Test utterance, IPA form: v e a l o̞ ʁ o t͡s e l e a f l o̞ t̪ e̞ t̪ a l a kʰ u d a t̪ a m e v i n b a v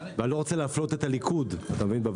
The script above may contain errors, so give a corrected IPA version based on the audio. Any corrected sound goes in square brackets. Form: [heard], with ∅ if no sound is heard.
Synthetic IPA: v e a l o̞ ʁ o t͡s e l e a f l o̞ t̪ e̞ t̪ a l [i] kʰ u d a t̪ a m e v i n b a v